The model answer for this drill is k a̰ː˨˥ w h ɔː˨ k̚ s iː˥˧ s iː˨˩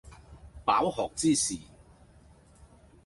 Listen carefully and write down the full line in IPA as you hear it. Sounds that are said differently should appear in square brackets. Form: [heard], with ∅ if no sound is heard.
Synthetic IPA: [p] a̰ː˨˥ w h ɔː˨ k̚ [t͡s] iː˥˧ s iː˨˩